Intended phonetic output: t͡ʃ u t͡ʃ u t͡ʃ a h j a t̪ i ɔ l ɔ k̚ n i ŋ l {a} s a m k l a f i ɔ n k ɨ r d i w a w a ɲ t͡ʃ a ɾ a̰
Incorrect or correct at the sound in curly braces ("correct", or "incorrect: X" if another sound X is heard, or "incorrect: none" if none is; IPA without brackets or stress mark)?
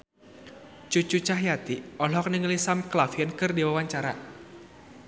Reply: incorrect: i